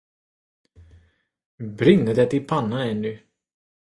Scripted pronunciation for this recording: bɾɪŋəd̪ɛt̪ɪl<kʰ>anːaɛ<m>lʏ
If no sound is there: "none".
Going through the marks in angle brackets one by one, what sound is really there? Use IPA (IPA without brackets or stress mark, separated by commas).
pʰ, n